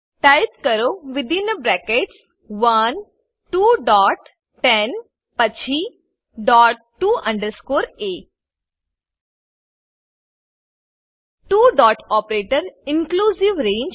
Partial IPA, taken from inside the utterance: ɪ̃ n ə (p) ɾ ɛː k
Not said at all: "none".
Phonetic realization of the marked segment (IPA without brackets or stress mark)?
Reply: b